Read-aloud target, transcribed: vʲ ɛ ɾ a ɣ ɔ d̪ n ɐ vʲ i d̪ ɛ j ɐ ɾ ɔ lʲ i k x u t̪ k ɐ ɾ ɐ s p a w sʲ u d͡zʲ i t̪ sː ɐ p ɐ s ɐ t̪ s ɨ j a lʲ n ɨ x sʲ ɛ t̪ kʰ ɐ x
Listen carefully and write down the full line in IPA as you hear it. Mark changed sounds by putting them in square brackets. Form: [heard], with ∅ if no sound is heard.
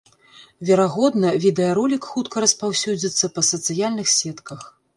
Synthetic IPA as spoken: vʲ ɛ ɾ a ɣ ɔ d̪ n ɐ vʲ i d̪ ɛ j ɐ ɾ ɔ lʲ i k x u t̪ k ɐ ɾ ɐ s p a w sʲ u d͡zʲ i t̪ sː ɐ p ɐ s ɐ t̪ s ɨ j a lʲ n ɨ x sʲ ɛ t̪ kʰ ɐ x